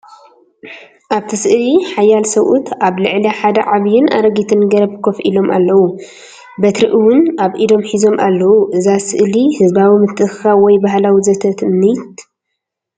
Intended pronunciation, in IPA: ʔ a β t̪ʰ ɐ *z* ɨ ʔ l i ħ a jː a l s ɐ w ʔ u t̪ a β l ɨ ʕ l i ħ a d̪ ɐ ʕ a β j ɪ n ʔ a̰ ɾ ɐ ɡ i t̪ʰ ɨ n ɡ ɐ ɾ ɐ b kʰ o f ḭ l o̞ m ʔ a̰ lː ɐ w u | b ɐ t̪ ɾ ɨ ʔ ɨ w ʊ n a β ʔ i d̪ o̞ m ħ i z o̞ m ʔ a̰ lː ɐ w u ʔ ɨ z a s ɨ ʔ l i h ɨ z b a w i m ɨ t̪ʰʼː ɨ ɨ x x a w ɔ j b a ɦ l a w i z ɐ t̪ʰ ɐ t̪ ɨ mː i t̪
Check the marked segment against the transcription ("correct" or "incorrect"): incorrect